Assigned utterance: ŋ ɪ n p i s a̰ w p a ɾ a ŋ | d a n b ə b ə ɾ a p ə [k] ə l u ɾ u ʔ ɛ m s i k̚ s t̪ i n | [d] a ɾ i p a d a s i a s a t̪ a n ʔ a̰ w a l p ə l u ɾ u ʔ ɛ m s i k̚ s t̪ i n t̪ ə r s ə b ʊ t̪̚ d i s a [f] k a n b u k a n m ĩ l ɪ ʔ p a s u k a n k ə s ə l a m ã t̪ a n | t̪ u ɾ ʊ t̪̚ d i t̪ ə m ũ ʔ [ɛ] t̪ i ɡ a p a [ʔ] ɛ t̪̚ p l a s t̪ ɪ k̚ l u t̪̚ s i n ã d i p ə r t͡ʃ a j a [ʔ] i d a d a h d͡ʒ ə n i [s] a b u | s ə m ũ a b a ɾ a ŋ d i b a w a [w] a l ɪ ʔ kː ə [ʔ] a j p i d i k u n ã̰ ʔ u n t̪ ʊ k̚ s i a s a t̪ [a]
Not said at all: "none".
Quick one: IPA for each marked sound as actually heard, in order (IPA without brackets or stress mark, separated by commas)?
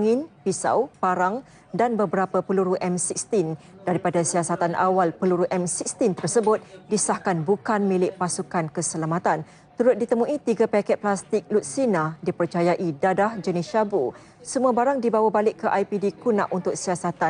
p, d, h, i, k, ʔ, ʃ, b, ʔ, a